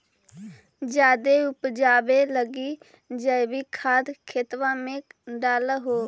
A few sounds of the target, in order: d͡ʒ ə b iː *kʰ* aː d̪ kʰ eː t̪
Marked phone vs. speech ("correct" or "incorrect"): correct